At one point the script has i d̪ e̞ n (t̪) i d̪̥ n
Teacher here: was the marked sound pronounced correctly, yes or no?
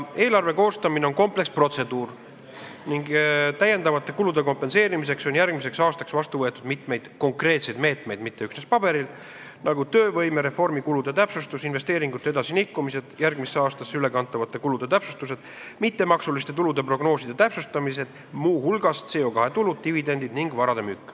no